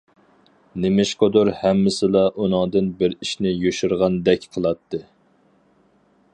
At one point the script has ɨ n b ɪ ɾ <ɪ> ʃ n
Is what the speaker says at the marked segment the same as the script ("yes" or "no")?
no